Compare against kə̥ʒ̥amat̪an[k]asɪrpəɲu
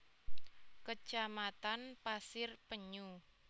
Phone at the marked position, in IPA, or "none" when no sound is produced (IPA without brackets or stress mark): p